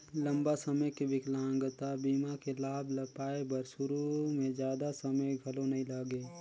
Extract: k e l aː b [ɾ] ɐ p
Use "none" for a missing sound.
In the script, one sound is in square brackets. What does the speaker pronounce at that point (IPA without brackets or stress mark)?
l